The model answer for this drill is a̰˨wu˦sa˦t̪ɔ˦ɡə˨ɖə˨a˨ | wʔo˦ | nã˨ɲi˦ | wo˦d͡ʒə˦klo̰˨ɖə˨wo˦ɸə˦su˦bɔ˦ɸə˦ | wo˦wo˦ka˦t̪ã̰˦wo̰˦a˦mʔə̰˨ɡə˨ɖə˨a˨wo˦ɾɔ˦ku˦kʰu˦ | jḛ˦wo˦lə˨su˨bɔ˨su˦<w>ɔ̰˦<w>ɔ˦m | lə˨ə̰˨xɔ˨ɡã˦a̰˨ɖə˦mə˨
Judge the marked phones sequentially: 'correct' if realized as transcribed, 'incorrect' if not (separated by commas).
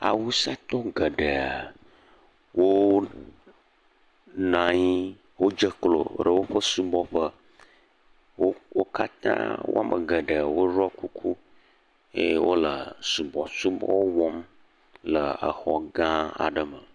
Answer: incorrect, correct